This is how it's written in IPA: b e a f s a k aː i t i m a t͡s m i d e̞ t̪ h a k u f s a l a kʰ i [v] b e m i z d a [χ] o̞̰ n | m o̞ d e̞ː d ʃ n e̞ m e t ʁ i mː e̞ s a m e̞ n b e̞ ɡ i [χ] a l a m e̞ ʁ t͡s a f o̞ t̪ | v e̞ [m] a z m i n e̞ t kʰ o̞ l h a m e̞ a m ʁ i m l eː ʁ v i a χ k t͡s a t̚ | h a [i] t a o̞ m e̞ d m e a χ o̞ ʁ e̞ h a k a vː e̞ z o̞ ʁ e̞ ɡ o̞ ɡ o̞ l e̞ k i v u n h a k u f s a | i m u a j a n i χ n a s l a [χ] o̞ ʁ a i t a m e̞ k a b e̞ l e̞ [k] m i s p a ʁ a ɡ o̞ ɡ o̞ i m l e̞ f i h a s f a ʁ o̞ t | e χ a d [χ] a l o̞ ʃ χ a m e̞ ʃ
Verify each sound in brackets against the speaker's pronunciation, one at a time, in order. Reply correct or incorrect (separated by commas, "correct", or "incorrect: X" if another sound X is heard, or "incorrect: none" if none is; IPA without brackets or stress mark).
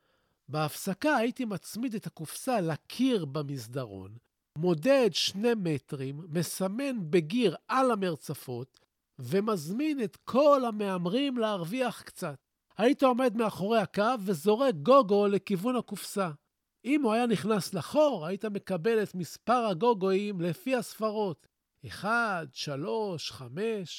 incorrect: ʁ, incorrect: ʁ, incorrect: ʁ, correct, correct, correct, incorrect: t, incorrect: ʃ